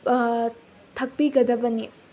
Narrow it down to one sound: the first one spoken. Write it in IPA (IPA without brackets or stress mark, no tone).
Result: t̪ʰ